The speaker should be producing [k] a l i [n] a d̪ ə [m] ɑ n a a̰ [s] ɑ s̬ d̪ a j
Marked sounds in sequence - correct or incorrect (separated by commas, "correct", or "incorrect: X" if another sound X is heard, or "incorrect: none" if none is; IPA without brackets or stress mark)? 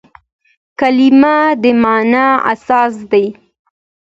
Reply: correct, incorrect: m, correct, correct